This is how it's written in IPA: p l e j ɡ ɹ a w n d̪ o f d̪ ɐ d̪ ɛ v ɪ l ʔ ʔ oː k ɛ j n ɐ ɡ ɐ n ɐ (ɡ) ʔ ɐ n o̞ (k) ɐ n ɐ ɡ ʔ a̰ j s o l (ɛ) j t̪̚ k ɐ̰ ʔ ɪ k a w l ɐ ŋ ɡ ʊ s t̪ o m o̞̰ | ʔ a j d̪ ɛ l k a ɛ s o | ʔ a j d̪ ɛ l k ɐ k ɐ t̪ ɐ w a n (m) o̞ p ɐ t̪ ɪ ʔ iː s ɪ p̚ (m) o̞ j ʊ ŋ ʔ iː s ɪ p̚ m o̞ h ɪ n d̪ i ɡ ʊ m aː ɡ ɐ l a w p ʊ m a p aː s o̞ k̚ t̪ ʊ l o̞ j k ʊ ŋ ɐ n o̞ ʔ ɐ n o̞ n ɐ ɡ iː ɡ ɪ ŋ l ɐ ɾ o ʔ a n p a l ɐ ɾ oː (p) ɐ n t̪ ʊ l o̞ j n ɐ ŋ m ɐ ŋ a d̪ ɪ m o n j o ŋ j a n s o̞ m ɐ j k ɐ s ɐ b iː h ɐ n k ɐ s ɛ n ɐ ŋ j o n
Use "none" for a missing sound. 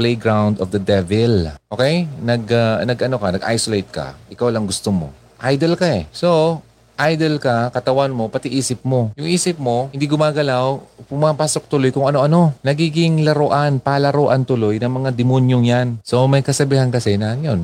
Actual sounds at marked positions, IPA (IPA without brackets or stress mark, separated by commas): ɡ, k, e, m, m, ʔ